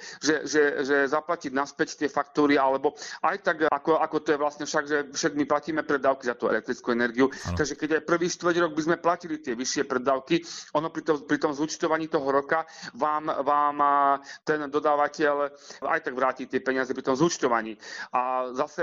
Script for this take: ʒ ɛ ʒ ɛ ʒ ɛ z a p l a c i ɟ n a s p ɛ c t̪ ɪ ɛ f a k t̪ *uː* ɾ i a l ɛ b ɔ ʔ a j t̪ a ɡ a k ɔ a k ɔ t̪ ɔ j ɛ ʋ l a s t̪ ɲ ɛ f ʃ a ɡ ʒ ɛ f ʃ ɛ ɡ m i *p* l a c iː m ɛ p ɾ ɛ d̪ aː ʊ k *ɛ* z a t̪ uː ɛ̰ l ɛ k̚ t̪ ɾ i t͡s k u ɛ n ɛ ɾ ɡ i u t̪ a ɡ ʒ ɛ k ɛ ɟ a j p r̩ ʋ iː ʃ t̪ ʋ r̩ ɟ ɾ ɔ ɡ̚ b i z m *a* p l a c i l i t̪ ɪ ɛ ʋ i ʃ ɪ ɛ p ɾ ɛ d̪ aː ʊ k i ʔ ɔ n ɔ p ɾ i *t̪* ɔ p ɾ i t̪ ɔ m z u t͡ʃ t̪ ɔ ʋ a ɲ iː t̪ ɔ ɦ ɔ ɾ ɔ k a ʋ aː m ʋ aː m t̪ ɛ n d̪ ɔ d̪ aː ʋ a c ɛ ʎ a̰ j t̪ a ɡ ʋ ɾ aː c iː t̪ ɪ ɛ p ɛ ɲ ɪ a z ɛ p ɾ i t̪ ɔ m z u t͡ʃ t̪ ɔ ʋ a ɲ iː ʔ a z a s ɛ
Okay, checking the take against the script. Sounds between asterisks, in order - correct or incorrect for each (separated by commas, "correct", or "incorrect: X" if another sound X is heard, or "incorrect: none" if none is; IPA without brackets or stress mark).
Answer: correct, correct, incorrect: i, incorrect: ɛ, correct